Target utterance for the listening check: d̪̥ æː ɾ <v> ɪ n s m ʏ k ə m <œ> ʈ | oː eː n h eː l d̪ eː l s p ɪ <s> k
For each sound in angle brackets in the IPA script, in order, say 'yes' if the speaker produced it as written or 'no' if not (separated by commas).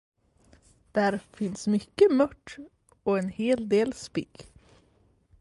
no, yes, no